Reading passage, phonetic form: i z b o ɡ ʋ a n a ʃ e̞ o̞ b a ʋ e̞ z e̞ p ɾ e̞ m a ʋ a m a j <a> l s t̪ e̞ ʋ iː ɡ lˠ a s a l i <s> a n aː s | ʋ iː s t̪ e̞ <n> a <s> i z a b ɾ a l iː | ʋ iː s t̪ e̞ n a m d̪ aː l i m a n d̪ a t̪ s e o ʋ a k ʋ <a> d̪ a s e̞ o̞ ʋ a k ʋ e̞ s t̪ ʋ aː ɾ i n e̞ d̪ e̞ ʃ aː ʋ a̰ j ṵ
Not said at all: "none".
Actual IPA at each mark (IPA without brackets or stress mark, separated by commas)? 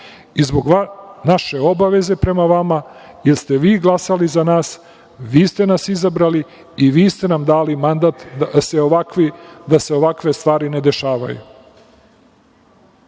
e, z, n, s, i